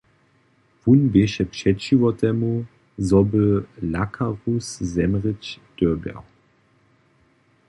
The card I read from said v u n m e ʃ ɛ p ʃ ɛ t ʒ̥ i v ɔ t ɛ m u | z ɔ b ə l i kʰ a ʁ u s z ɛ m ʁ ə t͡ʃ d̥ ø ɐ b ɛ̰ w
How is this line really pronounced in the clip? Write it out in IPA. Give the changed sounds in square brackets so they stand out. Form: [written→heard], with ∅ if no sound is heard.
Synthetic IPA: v u n [m→b] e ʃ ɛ p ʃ ɛ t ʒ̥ i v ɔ t ɛ m u | z ɔ b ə l [i→a] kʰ a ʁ u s z ɛ m ʁ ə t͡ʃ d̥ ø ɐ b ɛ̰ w